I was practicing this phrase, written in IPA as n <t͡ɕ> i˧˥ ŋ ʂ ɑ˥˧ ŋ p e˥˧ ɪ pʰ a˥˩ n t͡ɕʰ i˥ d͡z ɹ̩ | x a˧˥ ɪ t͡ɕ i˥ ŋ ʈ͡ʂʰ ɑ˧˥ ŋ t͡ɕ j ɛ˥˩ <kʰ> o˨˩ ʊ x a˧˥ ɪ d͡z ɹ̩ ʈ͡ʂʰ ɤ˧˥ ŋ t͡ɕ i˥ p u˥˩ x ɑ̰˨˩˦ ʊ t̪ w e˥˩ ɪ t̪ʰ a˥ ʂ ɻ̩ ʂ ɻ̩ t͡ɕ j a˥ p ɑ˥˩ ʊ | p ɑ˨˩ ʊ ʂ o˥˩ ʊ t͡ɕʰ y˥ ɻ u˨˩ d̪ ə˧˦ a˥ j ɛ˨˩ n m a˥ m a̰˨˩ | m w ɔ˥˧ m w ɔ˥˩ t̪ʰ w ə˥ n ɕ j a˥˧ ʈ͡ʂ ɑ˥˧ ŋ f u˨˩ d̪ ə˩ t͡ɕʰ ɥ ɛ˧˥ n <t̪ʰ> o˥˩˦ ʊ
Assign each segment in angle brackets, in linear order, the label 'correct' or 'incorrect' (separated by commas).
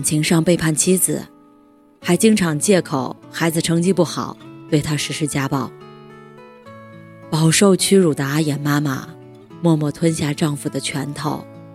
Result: incorrect, correct, correct